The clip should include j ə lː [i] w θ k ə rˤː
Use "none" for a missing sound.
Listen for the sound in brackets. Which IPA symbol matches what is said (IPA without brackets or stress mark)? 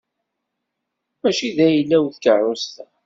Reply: æ